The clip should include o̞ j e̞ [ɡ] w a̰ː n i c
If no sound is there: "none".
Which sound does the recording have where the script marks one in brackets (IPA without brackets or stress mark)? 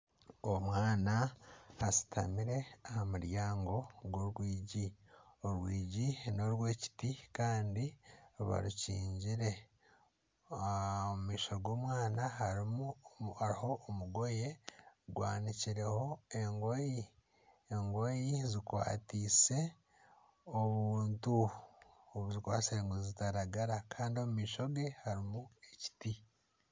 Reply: ɡ